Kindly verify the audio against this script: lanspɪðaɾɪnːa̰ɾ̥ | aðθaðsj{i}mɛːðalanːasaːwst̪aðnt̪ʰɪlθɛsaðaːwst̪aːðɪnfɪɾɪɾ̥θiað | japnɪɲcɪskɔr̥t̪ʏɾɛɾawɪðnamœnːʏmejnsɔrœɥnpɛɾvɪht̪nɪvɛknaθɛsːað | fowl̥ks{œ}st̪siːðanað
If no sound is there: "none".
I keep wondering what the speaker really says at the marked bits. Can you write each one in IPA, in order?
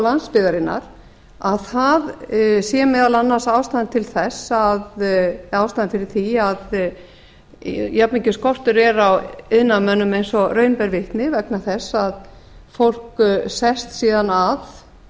ɛ, ɛ

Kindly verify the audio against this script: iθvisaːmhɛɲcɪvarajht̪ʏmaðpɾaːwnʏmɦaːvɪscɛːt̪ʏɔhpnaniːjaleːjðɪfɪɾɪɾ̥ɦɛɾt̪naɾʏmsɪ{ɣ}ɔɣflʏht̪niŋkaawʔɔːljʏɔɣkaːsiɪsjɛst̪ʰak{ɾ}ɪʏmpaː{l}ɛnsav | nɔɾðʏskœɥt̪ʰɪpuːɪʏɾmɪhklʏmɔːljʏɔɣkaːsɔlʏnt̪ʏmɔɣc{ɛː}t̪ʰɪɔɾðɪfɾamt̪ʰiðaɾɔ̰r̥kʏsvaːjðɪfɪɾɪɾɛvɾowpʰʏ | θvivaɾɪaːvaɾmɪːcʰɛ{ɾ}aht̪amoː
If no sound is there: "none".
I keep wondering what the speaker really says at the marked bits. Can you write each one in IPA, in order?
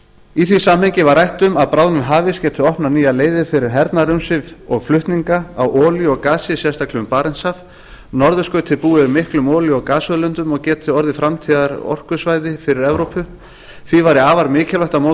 v, l, ɾ, ɛː, l

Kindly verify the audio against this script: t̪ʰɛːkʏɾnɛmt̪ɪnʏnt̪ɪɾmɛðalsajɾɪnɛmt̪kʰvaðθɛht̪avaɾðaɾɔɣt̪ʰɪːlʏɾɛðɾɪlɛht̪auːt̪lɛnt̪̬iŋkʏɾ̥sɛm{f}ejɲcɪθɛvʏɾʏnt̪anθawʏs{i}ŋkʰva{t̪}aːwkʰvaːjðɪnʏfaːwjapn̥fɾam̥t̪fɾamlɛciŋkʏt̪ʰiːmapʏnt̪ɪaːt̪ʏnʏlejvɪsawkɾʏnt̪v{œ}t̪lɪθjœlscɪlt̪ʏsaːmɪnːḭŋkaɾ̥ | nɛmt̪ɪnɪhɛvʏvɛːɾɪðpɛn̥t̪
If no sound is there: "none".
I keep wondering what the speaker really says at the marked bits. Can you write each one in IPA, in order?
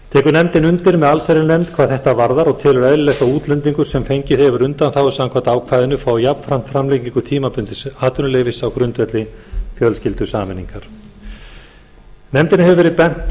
f, a, t̪, ɛ

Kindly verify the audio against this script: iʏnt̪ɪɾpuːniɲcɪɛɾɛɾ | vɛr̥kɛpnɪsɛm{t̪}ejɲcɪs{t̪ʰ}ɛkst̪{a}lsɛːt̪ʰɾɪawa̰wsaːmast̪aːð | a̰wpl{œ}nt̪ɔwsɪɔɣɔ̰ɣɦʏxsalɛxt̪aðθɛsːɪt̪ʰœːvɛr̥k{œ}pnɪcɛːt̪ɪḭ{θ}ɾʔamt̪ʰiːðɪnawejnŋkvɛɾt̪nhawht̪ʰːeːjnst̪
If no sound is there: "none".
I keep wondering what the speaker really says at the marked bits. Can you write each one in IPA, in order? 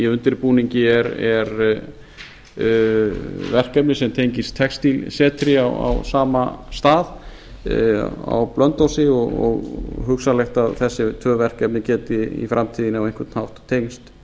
t̪ʰ, t̪ʰ, i, œ, ɛ, f

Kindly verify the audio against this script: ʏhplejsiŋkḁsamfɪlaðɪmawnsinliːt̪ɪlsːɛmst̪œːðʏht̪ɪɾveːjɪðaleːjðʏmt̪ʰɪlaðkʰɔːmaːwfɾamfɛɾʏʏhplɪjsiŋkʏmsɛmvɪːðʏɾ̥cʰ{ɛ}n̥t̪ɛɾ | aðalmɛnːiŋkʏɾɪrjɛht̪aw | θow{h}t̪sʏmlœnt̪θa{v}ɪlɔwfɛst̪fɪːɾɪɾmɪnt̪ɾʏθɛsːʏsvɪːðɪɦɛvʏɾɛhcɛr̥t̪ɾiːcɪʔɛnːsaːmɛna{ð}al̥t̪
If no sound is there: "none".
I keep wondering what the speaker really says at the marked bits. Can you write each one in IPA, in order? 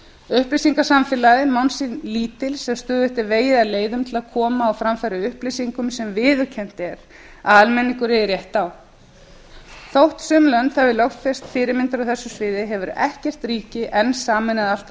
ɛ, h, v, ð

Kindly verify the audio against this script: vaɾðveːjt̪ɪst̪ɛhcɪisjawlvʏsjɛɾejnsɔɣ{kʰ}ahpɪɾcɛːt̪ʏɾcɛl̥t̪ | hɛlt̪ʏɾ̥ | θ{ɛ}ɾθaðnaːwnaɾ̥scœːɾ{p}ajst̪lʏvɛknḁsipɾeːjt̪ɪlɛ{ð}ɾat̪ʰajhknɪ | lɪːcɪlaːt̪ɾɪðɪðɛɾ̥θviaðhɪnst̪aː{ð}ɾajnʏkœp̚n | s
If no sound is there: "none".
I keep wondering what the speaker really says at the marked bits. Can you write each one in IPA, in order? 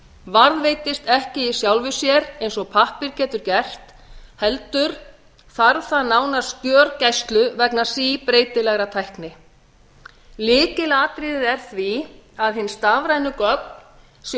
pʰ, a, c, ɣ, v

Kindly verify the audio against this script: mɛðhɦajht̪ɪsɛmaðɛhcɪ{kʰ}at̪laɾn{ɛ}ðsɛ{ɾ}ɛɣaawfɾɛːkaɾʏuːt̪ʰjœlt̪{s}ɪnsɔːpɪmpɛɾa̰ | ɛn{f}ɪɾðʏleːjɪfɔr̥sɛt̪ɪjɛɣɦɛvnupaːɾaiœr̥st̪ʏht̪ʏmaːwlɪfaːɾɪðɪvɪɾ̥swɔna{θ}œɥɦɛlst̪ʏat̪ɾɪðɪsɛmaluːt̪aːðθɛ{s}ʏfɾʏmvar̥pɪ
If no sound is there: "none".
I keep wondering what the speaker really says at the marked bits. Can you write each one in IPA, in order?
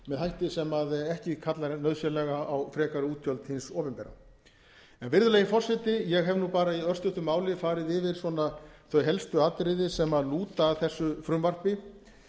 kʰ, œ, l, h, v, θ, sː

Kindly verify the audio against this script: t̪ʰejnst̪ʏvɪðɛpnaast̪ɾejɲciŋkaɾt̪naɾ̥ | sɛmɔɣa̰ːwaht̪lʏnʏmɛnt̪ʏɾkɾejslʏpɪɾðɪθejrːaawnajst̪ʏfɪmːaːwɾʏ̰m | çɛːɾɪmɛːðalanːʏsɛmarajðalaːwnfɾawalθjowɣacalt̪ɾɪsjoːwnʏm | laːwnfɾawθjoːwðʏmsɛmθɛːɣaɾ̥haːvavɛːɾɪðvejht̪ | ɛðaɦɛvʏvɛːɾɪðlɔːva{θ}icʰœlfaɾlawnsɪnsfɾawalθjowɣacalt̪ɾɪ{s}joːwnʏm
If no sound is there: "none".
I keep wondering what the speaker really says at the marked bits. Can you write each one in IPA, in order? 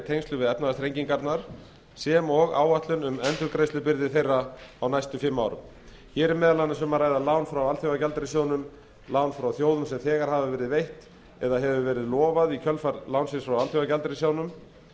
ð, s

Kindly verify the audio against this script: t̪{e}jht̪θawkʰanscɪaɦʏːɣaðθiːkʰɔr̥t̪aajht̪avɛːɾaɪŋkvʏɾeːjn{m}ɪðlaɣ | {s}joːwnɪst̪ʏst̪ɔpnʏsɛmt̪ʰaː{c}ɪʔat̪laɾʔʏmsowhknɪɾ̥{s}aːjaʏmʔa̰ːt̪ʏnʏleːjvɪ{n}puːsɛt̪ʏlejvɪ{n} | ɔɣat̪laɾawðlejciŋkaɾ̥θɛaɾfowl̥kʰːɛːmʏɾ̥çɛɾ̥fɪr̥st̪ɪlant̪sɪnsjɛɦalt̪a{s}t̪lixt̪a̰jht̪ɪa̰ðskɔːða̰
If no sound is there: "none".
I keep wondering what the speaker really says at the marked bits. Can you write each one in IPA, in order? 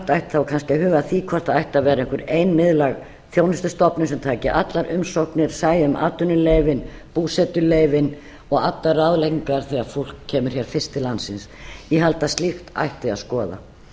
a, m, θ, c, s, n, n, s

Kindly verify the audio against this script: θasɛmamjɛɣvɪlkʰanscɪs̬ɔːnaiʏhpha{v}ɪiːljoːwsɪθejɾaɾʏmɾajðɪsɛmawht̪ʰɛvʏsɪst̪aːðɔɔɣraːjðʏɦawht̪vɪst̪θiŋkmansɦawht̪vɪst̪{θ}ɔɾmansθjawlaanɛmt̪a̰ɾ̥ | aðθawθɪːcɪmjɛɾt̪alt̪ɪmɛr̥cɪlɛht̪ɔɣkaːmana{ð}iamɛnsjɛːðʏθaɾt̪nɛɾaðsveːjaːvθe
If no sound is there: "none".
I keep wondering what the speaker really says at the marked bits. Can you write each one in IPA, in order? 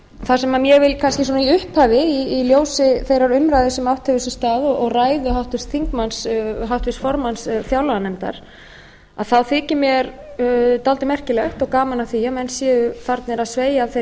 v, f, θ

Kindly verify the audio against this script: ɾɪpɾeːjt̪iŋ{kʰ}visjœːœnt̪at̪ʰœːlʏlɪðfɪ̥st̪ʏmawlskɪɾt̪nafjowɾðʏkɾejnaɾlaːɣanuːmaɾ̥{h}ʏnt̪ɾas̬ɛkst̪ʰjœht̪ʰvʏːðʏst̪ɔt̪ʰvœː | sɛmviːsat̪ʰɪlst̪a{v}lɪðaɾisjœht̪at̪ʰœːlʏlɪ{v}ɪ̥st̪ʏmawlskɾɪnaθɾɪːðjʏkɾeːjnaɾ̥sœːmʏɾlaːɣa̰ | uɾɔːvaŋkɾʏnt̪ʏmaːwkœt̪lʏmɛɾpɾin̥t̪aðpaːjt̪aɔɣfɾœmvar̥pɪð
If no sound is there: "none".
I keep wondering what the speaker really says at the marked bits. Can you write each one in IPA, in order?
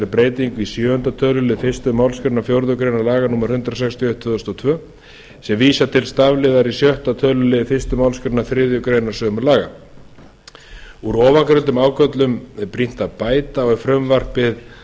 k, h, v, f

